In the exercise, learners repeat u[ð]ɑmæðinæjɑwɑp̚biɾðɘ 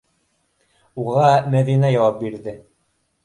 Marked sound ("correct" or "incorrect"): incorrect